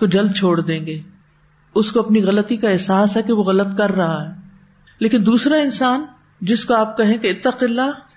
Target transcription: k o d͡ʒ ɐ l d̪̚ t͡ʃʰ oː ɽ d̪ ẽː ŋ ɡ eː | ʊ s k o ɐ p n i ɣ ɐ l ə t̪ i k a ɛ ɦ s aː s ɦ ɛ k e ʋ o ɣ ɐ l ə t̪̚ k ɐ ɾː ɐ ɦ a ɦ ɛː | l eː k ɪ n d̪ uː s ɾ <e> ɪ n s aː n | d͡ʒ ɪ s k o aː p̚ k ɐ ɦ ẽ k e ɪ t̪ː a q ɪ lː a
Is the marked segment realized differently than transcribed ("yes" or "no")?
yes